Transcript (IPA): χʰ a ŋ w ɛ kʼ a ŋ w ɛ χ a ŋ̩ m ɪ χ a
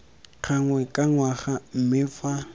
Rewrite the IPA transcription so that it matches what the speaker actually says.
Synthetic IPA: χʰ a ŋ w ɛ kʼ a ŋ w a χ a m̩ m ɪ f a